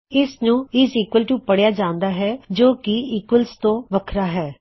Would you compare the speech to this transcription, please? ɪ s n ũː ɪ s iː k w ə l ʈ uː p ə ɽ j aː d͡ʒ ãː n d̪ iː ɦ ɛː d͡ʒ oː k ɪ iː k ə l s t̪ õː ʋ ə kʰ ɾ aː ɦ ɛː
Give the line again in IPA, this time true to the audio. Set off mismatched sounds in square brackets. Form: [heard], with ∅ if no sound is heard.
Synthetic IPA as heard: ɪ s n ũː ɪ s iː k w ə l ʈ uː p ə ɽ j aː d͡ʒ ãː n d̪ [aː] ɦ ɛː d͡ʒ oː k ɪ iː k ə l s t̪ õː ʋ ə kʰ ɾ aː ɦ ɛː